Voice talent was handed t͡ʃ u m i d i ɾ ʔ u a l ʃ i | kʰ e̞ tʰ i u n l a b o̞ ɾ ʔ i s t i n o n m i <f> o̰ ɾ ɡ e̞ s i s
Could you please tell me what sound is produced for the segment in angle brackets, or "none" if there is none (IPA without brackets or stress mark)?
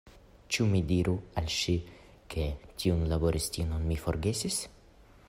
f